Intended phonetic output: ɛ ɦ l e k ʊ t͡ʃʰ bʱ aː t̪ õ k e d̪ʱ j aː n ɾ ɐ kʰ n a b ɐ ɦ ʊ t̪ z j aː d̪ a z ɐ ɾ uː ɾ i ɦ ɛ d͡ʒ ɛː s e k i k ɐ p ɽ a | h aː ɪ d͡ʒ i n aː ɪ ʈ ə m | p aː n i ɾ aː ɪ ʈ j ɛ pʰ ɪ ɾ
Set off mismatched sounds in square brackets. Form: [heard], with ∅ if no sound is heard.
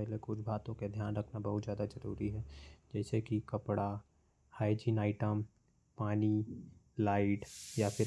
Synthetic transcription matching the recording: ɛ ɦ l e k ʊ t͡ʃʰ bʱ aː t̪ õ k e d̪ʱ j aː n ɾ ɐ kʰ n a b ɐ ɦ ʊ t̪ z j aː d̪ a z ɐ ɾ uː ɾ i ɦ ɛ d͡ʒ ɛː s e k i k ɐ p ɽ a | h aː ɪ d͡ʒ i n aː ɪ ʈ ə m | p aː n i [l] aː ɪ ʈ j [a] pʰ ɪ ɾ